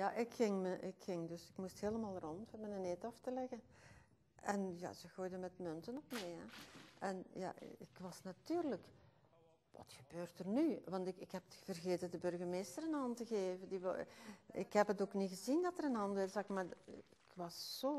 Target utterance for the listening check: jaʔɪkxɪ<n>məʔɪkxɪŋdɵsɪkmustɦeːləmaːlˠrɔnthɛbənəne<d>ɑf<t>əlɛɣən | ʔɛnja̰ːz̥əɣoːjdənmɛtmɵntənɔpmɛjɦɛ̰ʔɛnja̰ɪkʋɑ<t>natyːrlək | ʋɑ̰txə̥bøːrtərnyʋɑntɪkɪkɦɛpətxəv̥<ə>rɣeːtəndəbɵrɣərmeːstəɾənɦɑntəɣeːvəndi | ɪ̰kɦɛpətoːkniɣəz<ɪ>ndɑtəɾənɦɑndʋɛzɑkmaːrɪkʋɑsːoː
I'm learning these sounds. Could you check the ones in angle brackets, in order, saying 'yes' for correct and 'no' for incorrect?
no, no, yes, no, yes, no

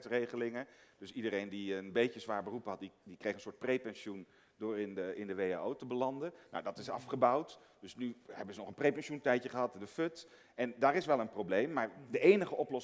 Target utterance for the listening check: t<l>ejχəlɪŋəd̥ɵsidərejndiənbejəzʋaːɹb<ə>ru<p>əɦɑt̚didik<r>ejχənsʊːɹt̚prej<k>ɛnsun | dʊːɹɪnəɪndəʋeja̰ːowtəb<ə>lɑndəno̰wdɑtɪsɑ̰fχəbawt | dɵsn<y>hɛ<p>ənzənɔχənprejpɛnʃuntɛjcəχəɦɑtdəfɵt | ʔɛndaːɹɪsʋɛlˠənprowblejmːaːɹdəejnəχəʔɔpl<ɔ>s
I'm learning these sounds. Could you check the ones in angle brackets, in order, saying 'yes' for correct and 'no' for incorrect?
no, yes, yes, yes, no, yes, yes, no, yes

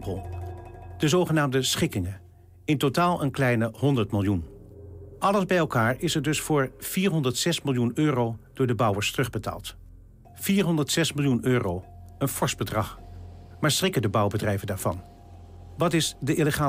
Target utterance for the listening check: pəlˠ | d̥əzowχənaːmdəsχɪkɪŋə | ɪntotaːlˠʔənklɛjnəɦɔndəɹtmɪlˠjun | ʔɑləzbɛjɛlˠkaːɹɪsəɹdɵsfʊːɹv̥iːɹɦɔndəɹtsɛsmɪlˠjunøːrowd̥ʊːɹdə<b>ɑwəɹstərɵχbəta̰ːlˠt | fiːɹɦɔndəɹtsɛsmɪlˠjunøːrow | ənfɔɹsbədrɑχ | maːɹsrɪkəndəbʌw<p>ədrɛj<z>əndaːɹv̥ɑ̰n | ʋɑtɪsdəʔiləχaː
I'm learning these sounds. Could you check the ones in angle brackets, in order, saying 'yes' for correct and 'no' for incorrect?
yes, no, no

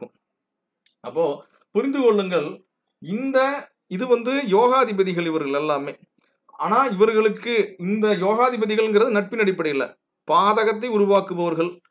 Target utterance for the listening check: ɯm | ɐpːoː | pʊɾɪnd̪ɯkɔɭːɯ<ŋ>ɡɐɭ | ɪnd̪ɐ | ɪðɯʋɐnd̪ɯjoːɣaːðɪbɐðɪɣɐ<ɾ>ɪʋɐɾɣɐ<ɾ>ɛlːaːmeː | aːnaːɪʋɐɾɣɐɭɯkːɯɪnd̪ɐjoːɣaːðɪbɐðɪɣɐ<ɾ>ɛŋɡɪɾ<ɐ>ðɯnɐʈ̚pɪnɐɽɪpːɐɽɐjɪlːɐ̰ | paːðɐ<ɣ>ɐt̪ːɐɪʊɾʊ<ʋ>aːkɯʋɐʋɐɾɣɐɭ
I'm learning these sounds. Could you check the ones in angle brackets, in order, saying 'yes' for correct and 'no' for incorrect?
yes, no, no, no, yes, yes, yes

